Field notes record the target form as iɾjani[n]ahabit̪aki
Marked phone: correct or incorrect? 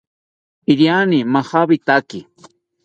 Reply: incorrect: m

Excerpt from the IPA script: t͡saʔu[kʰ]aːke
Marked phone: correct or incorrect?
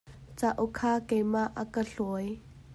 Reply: correct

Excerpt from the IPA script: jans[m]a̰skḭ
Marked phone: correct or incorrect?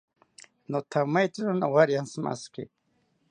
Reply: correct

